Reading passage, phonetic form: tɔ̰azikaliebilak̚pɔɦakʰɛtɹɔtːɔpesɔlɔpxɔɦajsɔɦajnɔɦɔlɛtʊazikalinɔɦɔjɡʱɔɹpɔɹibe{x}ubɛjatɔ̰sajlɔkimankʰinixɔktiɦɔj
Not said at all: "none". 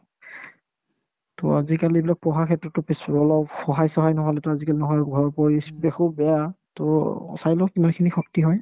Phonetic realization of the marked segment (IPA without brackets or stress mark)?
x